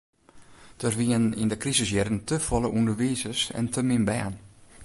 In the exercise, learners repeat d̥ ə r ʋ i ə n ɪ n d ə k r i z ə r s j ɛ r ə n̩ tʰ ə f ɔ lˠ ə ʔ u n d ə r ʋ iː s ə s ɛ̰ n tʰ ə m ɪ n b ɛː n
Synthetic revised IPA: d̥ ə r ʋ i ə n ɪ n d ə k r i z ə s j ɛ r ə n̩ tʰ ə f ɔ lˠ ə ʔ u n d ə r ʋ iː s ə s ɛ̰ n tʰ ə m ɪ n b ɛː n